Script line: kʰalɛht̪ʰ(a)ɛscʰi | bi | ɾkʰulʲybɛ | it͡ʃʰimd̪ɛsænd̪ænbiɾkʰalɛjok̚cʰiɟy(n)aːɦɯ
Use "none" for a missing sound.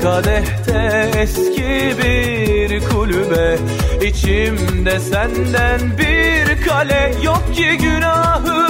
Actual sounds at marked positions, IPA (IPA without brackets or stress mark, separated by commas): ɛ, n